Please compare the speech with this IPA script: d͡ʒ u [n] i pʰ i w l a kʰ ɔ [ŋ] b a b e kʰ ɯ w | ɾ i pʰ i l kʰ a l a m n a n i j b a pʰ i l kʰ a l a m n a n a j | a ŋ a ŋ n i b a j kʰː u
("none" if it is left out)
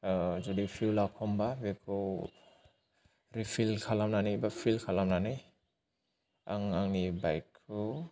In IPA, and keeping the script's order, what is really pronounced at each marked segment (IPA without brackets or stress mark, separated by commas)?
d, m